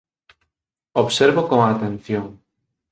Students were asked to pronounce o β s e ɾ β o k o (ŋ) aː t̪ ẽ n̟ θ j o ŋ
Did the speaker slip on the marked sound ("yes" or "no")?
no